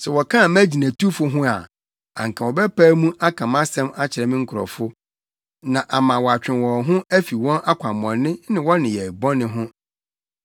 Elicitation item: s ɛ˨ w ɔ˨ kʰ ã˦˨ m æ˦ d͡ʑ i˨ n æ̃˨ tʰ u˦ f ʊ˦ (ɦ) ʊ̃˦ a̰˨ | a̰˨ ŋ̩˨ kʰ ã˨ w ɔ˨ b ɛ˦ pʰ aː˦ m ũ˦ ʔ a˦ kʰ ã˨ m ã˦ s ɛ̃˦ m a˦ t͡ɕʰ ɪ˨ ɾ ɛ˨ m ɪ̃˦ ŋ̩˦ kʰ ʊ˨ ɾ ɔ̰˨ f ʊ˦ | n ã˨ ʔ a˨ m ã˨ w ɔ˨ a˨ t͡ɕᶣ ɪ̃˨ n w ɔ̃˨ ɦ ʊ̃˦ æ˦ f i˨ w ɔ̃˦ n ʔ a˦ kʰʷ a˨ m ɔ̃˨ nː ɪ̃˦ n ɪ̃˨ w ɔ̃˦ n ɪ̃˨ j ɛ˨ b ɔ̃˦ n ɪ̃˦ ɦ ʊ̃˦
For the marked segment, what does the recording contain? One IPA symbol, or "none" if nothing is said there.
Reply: ɦ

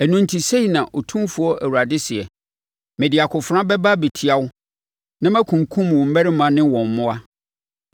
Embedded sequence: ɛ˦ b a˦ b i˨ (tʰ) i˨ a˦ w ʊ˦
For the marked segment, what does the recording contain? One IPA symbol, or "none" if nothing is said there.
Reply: tʰ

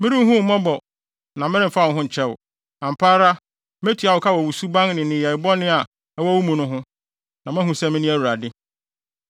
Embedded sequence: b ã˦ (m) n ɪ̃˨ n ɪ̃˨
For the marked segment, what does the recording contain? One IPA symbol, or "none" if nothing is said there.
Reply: ŋ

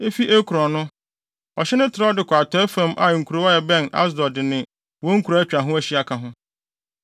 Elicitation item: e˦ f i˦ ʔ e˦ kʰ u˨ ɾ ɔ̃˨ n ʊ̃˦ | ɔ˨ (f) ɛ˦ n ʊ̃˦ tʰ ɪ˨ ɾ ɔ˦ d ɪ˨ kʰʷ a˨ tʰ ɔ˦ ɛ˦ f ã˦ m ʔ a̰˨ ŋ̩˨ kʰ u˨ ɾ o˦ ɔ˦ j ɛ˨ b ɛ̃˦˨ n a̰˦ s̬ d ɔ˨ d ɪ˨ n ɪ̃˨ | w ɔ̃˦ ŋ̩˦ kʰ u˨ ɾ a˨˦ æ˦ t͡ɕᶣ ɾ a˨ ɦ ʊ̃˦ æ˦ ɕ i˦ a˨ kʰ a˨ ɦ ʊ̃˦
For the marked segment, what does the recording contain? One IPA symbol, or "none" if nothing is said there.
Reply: ɕ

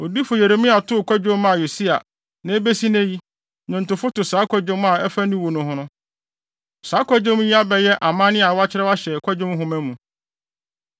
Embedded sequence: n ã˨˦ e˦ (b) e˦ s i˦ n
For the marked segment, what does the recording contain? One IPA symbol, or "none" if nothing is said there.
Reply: b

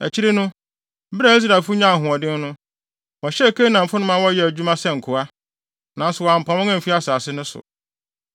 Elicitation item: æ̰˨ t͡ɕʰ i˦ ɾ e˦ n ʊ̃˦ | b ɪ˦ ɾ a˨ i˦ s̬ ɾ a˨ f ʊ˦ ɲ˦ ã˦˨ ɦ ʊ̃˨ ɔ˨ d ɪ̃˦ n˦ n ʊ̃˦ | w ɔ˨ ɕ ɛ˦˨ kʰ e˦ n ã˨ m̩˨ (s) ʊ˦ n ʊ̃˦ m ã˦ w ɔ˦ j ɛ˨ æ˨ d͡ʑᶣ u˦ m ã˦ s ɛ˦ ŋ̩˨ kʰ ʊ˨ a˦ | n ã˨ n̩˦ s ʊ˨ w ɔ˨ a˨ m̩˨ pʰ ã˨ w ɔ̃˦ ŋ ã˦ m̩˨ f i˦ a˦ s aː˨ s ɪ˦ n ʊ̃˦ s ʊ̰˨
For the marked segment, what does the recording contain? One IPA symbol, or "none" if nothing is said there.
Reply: f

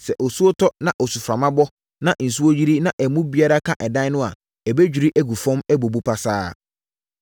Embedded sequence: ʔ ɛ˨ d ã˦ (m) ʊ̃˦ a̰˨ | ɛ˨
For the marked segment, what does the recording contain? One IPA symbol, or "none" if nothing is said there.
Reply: n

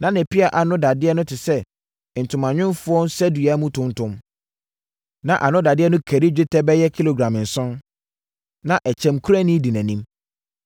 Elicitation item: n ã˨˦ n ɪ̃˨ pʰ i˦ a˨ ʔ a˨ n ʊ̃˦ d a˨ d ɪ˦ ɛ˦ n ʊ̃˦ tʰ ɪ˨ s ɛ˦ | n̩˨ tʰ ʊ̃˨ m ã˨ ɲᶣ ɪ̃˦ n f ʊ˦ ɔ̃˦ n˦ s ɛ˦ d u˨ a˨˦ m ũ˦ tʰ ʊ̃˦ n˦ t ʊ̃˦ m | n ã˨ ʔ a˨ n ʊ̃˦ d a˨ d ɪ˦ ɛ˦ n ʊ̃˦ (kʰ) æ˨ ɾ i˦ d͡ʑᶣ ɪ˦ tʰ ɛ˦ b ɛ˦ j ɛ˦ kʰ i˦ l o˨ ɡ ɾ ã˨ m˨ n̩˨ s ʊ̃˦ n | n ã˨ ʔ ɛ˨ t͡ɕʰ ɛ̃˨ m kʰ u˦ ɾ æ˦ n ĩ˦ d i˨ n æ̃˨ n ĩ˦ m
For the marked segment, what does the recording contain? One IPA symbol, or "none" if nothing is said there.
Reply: kʰ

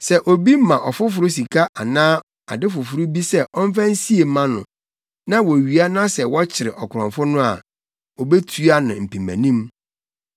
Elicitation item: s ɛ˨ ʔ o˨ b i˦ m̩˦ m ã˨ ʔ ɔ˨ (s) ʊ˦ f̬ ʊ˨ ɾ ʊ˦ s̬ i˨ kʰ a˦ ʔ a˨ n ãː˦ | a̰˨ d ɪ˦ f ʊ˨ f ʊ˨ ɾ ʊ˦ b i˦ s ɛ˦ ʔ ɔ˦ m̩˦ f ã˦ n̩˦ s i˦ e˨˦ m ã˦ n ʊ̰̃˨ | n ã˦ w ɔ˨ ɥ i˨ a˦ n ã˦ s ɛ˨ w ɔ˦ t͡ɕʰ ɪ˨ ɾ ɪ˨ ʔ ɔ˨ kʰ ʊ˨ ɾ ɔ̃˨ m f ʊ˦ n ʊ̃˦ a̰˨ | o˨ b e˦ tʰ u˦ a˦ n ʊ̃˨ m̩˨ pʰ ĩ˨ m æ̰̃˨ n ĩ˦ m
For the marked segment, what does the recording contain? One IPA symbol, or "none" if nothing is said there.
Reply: f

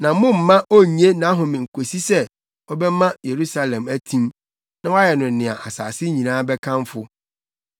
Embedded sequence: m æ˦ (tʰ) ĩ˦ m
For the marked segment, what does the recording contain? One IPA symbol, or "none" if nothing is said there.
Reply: tʰ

